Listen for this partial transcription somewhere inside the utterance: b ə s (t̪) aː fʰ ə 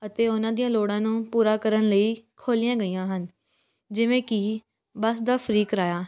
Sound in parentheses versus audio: incorrect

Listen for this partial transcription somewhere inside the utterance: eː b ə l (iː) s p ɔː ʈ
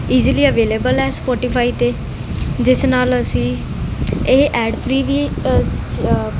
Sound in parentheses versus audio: incorrect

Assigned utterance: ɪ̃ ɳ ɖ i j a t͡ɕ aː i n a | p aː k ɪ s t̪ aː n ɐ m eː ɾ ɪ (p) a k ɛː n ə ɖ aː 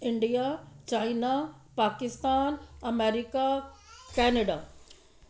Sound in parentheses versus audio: incorrect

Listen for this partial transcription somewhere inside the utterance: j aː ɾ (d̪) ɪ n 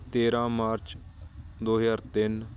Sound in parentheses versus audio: incorrect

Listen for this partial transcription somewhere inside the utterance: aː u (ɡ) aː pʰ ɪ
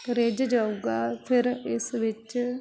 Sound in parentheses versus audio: correct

